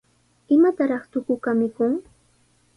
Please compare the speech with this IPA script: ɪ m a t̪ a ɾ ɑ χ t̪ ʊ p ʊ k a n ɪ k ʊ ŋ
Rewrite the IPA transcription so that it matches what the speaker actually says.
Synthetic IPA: ɪ m a t̪ a ɾ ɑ χ t̪ ʊ k ʊ k a m ɪ k ʊ ŋ